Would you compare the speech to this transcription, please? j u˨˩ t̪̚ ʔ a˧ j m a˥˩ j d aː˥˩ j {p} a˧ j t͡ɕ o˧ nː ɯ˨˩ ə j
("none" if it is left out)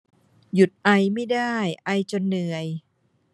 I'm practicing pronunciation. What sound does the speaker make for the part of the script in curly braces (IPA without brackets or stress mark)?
ʔ